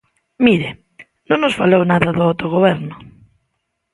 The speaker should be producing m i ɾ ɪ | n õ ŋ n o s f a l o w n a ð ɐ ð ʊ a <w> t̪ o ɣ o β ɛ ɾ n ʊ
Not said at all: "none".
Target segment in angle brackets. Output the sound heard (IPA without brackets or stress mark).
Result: w